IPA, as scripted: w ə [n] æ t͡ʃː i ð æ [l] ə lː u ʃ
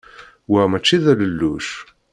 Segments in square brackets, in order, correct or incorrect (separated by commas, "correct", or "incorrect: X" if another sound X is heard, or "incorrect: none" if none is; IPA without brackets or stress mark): incorrect: m, correct